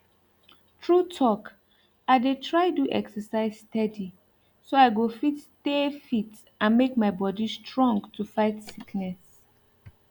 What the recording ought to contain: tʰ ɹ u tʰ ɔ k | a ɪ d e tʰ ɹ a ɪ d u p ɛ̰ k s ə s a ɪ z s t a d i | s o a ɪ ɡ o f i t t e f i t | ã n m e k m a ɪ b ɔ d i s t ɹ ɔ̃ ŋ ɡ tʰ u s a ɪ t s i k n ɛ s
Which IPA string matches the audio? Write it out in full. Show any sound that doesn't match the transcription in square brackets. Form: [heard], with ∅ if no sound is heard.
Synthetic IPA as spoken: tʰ ɹ u tʰ ɔ k | a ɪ d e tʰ ɹ a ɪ d u [ʔ] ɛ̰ k s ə s a ɪ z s t [ɛ] d i | s o a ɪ ɡ o f i t t e f i t | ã n m e k m a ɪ b ɔ d i s t ɹ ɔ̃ ŋ ɡ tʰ u [f] a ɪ t s i k n ɛ s

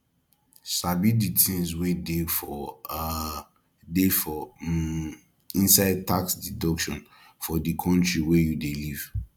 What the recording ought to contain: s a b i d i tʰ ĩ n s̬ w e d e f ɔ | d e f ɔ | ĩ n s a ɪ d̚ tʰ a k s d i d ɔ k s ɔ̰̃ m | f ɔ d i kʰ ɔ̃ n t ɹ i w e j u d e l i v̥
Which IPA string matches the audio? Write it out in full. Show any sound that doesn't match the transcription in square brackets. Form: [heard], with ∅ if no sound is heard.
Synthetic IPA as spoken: s a b i d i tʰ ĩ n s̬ w e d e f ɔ | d e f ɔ | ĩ n s a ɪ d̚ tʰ a k s d i d ɔ k [ʃ] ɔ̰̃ [n] | f ɔ d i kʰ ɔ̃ n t ɹ i w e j u d e l i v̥

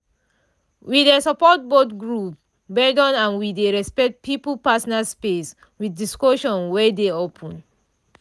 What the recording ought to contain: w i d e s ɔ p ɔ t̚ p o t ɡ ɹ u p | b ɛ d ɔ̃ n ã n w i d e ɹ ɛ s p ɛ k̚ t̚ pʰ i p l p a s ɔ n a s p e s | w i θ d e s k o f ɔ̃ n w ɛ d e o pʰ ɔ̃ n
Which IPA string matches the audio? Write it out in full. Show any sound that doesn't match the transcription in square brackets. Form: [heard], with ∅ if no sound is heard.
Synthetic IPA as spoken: w i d e s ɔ p ɔ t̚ [b] o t ɡ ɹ u p | b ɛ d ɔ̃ n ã n w i d e ɹ ɛ s p ɛ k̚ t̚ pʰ i p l p a s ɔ n a s p e s | w i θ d [i] s k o [ʃ] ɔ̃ n w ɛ d e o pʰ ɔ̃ n

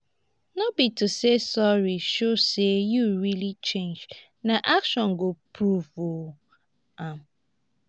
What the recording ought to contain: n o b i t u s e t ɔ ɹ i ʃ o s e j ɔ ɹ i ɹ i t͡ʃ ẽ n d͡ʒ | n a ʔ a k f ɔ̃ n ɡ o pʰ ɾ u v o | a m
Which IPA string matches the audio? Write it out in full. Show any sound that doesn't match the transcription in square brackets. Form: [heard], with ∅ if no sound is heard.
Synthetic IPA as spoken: n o b i t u s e [s] ɔ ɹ i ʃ o s e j [u] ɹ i [l] i t͡ʃ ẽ n d͡ʒ | n a ʔ a k [ʃ] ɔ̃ n ɡ o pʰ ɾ u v o | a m

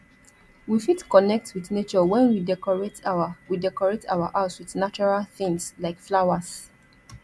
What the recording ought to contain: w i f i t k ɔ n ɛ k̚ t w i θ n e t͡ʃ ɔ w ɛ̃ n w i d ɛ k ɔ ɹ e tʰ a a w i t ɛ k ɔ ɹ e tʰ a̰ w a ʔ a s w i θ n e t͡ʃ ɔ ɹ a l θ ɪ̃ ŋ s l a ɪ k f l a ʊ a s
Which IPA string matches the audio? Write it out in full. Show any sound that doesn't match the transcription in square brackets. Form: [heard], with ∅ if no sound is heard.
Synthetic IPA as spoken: w i f i t k ɔ n ɛ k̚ t w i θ n e t͡ʃ ɔ w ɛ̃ n w i d ɛ k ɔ ɹ e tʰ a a w i [d] ɛ k ɔ ɹ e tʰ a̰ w a ʔ a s w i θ n [a] t͡ʃ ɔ ɹ a l θ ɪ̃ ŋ s l a ɪ k f l a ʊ a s

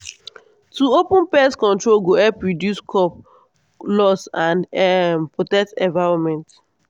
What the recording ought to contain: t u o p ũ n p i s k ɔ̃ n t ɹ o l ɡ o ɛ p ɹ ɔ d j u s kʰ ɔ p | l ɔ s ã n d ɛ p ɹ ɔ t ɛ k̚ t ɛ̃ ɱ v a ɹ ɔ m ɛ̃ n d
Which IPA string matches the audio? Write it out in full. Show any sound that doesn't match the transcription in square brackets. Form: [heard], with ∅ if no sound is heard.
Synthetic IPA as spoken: t u o p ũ n p [ɛ] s k ɔ̃ n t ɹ o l ɡ o ɛ p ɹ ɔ d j u s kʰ ɔ p | l ɔ s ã n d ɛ p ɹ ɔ t ɛ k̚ t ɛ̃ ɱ v a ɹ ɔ m ɛ̃ n [t]

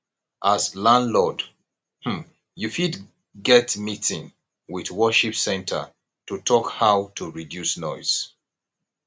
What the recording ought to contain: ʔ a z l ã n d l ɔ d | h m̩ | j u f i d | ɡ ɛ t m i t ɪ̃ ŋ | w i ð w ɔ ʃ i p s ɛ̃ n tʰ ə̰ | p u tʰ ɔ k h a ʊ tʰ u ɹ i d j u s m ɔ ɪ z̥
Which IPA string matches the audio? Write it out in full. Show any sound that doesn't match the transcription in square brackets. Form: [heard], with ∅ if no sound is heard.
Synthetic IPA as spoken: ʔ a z l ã n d l ɔ d | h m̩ | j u f i d | ɡ ɛ t m i t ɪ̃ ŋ | w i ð w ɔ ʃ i p s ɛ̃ n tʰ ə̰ | [t] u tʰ ɔ k h a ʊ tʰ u ɹ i d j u s [n] ɔ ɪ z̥

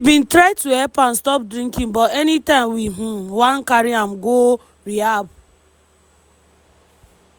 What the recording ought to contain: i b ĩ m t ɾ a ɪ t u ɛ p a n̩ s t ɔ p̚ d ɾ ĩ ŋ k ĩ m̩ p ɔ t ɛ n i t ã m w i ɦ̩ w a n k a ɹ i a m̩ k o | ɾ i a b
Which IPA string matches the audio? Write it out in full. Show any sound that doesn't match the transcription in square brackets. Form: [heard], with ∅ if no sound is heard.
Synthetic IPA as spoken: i b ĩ [n] t ɾ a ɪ t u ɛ p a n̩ s t ɔ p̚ d ɾ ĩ ŋ k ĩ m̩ [b] ɔ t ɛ n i t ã m w i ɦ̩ w a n k a [ɾ] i a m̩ [ɡ] o | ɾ i a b

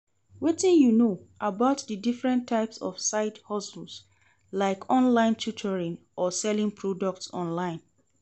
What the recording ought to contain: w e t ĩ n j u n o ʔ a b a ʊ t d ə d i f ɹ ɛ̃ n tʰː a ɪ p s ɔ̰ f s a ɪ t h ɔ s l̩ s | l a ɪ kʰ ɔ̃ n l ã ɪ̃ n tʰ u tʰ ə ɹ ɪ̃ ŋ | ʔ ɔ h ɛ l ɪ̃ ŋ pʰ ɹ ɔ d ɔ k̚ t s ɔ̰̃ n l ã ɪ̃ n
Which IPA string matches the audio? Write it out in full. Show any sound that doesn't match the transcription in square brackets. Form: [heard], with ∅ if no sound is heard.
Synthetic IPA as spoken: w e t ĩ n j u n o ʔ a b a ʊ t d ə d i f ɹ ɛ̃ n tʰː a ɪ p s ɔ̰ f s a ɪ t h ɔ s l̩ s | l a ɪ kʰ ɔ̃ n l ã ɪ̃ n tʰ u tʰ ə ɹ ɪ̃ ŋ | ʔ ɔ [s] ɛ l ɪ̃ ŋ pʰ ɹ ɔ d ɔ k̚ t s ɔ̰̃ n l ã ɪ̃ n

